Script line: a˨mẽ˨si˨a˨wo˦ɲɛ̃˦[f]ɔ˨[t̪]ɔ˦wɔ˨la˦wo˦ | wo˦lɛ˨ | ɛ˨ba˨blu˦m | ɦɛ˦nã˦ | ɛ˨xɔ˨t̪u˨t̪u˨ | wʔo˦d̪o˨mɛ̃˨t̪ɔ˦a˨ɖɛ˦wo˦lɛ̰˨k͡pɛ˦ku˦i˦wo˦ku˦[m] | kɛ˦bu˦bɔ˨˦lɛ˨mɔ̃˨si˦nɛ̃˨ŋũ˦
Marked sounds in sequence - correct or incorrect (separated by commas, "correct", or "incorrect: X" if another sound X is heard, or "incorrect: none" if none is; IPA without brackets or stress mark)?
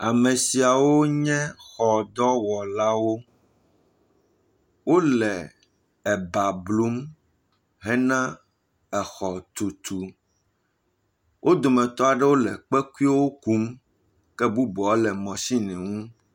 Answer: incorrect: x, incorrect: d̪, correct